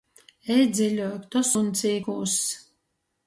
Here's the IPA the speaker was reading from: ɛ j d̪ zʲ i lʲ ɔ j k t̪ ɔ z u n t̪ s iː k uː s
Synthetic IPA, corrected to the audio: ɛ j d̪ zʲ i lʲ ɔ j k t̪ ɔ s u n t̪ s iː k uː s